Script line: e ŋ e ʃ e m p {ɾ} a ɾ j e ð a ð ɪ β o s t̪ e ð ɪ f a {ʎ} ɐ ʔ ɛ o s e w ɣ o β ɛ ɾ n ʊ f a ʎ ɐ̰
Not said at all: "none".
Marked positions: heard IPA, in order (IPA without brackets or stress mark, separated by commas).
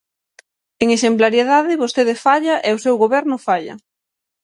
l, ʎ